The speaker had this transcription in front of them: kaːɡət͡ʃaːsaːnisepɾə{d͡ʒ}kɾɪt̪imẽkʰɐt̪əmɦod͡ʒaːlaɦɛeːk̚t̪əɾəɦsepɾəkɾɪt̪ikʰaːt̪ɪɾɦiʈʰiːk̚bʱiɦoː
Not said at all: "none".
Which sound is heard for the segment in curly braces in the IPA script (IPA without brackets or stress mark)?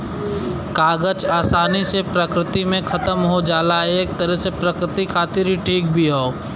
none